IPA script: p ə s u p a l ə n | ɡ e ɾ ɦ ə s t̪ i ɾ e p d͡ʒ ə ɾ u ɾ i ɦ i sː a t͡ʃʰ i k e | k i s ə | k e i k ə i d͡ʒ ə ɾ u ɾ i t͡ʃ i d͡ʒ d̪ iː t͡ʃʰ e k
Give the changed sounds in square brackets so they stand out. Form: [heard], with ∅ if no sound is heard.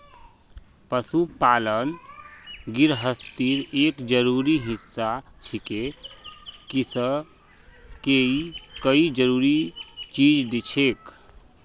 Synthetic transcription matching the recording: p ə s u p a l ə n | ɡ [i] ɾ ɦ ə s t̪ i ɾ e [k] d͡ʒ ə ɾ u ɾ i ɦ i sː a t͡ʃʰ i k e | k i s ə | k e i k ə i d͡ʒ ə ɾ u ɾ i t͡ʃ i d͡ʒ d̪ [i] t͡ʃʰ e k